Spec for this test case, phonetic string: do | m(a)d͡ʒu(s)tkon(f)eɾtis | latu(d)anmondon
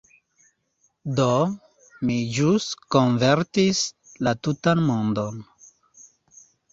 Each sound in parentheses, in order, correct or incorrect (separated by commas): incorrect, correct, incorrect, incorrect